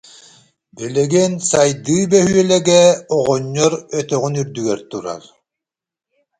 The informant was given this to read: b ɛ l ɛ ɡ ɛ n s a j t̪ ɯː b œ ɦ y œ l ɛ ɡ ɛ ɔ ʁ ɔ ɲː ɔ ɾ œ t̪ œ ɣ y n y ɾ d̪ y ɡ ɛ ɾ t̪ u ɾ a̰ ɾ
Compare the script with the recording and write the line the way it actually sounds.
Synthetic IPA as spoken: b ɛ l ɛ ɡ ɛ n s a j d̪ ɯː b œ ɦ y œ l ɛ ɡ ɛ ɔ ʁ ɔ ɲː ɔ ɾ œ t̪ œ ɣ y n y ɾ d̪ y ɡ ɛ ɾ t̪ u ɾ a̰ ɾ